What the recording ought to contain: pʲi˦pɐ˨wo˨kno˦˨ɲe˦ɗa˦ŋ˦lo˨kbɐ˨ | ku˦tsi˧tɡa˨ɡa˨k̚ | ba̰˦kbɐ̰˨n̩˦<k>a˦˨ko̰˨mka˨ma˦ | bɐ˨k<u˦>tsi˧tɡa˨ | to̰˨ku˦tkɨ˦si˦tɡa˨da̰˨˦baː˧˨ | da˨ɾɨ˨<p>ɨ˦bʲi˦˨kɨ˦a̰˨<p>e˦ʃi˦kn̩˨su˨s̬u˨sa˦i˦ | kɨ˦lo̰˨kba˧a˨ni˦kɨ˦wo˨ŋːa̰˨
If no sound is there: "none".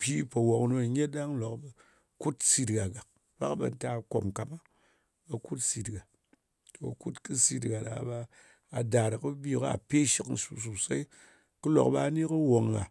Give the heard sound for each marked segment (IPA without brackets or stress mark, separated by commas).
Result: t, u˦, k, p